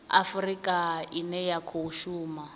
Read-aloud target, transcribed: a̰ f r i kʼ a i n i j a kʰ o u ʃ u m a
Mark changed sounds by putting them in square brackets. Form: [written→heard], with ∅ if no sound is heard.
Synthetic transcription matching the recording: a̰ f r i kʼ a i n [i→ɛ] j a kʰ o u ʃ [u→uː] m a